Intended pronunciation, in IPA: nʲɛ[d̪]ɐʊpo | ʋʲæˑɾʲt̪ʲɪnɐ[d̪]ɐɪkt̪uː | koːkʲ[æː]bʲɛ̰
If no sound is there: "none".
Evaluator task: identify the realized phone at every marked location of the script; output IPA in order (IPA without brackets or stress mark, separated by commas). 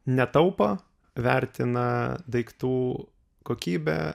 t̪, d̪, iː